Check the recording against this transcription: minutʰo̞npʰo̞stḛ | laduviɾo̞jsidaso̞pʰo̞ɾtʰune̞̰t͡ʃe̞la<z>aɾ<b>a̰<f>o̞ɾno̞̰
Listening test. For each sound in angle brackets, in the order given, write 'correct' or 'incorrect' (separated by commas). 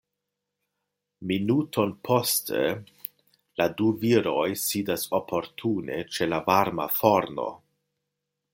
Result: incorrect, incorrect, correct